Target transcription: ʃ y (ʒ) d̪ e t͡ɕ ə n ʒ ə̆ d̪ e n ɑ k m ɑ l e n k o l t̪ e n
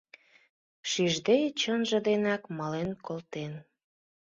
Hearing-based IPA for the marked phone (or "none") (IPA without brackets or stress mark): ʒ